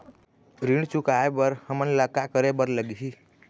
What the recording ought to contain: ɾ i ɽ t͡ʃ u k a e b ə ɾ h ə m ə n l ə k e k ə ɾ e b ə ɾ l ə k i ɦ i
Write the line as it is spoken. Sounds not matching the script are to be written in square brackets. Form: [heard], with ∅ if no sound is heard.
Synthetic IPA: ɾ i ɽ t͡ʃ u k a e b ə ɾ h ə m ə n l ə k [a] k ə ɾ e b ə ɾ l ə [ɡ] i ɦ i